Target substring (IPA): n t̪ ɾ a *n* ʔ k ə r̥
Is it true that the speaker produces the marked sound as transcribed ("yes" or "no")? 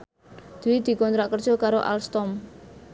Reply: no